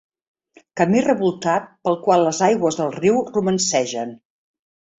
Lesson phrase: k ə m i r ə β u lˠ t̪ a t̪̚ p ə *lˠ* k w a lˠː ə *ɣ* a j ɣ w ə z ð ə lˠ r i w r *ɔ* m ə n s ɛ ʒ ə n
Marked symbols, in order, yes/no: yes, no, no

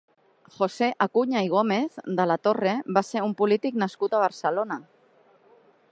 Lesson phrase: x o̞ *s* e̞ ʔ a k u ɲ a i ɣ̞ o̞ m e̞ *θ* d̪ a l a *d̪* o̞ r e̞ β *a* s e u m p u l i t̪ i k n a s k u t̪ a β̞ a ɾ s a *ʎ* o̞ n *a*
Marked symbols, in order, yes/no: yes, yes, no, yes, no, yes

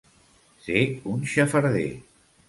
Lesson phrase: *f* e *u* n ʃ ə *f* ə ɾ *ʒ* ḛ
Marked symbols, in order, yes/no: no, yes, yes, no

